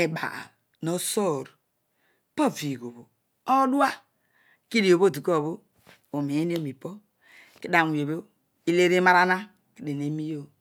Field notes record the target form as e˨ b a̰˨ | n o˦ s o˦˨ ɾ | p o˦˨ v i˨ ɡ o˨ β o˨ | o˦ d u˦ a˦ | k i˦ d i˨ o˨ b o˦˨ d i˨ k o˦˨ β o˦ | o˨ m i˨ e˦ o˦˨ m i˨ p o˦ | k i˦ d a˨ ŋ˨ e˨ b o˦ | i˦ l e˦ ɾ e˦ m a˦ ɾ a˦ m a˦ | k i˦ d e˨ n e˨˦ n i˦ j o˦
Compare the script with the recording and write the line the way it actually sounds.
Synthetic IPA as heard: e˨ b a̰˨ | n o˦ s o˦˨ ɾ | p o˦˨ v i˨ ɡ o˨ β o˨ | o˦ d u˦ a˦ | k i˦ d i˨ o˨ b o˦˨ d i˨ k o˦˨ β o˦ | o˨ m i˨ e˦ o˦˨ m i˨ p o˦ | k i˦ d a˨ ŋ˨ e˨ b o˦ | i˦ l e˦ ɾ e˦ m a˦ ɾ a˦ n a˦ | k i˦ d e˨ n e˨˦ m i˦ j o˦